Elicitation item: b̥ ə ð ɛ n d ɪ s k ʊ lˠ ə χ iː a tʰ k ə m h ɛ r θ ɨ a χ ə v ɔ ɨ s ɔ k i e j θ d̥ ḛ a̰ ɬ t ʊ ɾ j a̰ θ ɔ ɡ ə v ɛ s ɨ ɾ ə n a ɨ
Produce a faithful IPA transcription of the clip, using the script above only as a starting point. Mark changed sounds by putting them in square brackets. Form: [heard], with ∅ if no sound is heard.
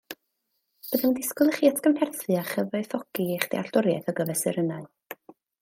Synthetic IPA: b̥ ə ð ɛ n d ɪ s k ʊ lˠ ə χ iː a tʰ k ə m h ɛ r θ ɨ a χ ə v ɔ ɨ [θ] ɔ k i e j [χ] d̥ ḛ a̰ ɬ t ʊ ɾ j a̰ θ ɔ ɡ ə v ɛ s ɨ ɾ ə n a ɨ